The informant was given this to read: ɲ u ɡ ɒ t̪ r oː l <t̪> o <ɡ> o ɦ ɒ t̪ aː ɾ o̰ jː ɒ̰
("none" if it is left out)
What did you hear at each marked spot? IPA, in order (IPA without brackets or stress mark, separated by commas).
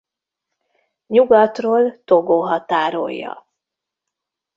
t̪, ɡ